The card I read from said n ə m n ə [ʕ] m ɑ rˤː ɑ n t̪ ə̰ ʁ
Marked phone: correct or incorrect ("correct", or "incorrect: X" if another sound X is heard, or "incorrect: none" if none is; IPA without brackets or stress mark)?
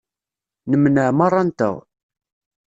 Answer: correct